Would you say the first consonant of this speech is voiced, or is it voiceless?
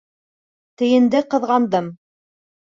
voiceless